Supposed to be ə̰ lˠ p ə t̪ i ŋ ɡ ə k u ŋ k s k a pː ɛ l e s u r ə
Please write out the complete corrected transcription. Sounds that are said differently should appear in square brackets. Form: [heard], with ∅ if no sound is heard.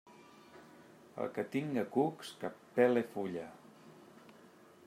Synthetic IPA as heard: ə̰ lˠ [k] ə t̪ i ŋ ɡ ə k u [∅] k s k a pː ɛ l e [f] u [ʎ] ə